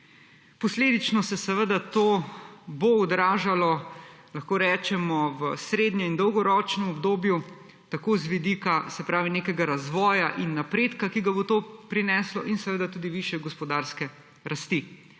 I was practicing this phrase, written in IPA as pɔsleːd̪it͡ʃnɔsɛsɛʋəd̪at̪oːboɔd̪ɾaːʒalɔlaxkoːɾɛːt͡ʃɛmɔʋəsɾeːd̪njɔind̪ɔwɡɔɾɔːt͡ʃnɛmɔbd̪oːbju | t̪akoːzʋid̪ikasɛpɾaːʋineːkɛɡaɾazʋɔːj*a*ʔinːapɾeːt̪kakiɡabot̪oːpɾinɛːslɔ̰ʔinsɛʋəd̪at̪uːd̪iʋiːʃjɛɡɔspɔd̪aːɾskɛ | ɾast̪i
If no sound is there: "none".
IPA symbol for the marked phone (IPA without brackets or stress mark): a